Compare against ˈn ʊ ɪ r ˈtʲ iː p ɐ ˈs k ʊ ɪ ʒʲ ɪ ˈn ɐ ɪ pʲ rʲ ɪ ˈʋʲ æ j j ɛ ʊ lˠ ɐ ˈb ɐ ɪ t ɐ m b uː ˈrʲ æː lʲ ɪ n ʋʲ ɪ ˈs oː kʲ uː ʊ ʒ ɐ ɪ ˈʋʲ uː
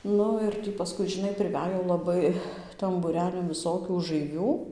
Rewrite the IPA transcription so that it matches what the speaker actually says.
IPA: ˈn ʊ ɪ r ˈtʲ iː p ɐ ˈs k ʊ ɪ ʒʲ ɪ ˈn ɐ ɪ pʲ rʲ ɪ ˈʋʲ æ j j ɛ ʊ lˠ ɐ ˈb ɐ ɪ t ɐ m b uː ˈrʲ æː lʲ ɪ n ʋʲ ɪ ˈs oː kʲ uː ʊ ʒ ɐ ɪ ˈʋʲ uː